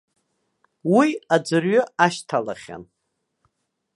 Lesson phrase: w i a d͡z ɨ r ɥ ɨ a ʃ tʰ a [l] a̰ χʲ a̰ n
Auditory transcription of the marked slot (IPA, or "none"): l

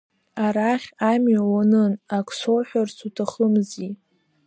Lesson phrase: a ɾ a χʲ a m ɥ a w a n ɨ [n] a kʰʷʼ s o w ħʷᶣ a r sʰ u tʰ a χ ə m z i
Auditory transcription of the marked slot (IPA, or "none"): n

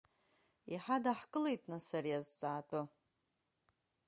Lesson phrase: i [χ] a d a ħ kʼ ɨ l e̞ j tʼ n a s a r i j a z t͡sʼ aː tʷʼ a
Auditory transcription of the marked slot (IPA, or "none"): ħ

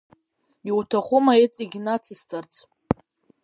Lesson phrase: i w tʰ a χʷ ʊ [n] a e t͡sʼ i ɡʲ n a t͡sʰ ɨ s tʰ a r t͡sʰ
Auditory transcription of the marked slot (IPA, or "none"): m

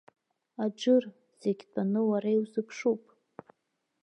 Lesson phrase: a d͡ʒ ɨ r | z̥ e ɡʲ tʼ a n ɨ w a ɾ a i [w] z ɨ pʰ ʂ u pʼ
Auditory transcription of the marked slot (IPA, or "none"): w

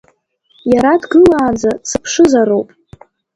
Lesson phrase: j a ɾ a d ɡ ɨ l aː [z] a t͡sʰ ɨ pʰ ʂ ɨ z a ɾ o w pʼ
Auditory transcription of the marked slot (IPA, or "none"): d͡z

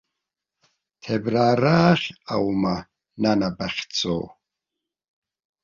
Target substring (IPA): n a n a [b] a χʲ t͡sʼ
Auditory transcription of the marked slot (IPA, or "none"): b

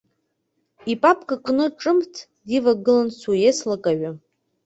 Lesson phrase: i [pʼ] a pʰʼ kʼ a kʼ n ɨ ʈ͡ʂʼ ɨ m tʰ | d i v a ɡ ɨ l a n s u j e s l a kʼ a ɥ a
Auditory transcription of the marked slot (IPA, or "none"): pʼ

